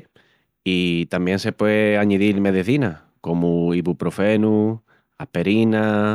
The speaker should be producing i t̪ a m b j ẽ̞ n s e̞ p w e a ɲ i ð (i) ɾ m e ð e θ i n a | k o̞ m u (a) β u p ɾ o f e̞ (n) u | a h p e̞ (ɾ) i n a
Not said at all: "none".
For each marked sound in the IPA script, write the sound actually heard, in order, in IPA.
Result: i, i, n, ɾ

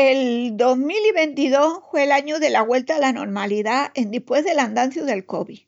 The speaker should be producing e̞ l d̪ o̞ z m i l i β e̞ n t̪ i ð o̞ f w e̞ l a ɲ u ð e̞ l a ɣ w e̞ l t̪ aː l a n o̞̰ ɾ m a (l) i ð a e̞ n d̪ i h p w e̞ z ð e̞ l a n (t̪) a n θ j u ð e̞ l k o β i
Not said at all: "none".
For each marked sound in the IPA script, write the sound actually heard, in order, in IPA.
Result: l, d̪

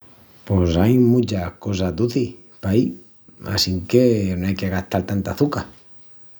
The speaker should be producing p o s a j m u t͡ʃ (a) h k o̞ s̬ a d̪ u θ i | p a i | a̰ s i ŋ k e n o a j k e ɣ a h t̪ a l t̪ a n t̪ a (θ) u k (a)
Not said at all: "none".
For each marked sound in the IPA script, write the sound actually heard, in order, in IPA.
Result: a, θ, a

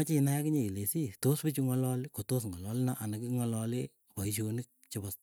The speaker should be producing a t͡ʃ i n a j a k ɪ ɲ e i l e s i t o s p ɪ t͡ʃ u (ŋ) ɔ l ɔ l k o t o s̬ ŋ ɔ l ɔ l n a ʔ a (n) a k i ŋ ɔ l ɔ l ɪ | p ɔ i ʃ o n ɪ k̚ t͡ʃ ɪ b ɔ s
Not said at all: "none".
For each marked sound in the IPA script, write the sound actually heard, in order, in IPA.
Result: ŋ, n

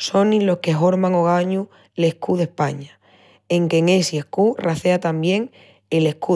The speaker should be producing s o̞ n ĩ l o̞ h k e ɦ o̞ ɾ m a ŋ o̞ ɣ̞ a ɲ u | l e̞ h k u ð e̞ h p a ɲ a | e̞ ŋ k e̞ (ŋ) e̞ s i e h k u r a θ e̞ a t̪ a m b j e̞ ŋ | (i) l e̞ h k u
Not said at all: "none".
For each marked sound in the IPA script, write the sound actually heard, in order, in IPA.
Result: ŋ, e

